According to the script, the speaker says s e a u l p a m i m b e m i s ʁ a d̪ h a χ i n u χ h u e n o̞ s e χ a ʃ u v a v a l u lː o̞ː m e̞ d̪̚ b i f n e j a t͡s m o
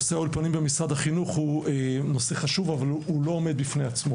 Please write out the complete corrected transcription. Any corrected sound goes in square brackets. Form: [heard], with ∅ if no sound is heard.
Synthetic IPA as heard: s e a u l p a [n] i m b e m i s ʁ a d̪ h a χ i n u χ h u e n o̞ s e χ a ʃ u v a v a l u [l] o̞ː m e̞ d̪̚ b i f n e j a t͡s m o